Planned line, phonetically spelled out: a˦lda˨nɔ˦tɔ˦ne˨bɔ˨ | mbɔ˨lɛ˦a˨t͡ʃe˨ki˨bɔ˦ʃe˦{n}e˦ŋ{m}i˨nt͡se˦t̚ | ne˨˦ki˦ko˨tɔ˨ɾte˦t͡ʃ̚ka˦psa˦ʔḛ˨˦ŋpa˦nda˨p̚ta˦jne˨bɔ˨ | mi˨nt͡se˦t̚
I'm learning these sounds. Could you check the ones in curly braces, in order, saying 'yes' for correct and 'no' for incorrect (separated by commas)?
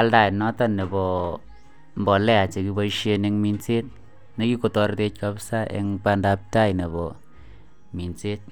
yes, yes